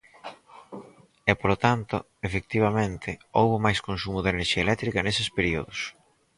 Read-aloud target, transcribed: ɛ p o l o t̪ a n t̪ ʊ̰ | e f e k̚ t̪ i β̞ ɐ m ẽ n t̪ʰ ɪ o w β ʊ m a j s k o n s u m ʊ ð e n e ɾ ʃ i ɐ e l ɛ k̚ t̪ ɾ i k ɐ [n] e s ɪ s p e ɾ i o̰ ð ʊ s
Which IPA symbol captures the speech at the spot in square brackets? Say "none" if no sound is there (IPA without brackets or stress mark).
n